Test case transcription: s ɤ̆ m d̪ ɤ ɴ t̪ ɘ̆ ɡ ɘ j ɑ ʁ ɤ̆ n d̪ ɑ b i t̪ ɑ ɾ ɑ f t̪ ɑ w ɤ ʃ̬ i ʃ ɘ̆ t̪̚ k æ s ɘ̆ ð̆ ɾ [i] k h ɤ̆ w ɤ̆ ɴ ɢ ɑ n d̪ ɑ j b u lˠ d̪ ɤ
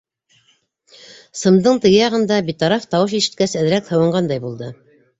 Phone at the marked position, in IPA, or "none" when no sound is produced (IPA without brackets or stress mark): æ